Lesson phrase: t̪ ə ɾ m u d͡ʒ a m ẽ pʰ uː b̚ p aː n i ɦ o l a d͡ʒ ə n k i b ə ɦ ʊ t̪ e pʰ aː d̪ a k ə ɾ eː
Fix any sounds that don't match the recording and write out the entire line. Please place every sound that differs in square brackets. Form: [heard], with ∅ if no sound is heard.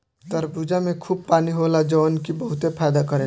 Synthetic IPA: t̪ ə ɾ [b] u d͡ʒ a m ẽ [kʰ] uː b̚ p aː n i ɦ o l a d͡ʒ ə n k i b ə ɦ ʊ t̪ e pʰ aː d̪ a k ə ɾ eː